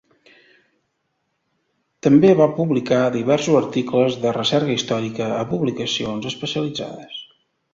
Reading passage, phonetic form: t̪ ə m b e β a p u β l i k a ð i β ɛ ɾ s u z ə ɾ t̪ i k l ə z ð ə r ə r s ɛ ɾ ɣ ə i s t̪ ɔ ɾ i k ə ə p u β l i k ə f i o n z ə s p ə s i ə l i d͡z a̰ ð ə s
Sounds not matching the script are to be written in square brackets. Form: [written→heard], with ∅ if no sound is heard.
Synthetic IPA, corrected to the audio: t̪ ə m b e β a p u β l i k a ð i β ɛ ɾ s u z ə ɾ t̪ i k l ə z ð ə r ə [r→∅] s ɛ ɾ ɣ ə i s t̪ ɔ ɾ i k ə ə p u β l i k ə [f→s] i o n z ə s p ə s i ə l i d͡z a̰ ð ə s